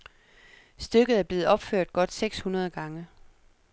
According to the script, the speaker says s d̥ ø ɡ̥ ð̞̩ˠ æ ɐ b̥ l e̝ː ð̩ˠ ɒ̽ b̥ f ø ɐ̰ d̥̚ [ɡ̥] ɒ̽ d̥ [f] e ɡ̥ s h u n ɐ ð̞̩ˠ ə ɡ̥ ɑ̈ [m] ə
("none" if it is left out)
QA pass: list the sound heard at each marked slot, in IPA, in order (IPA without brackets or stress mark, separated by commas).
ɡ̥, s, ŋ